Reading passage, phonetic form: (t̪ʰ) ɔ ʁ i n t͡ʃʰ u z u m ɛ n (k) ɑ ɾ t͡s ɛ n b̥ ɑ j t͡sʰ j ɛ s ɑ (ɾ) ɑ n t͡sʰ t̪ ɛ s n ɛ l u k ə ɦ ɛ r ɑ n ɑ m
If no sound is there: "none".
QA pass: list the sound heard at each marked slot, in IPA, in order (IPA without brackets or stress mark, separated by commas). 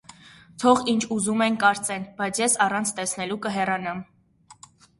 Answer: t̪ʰ, k, r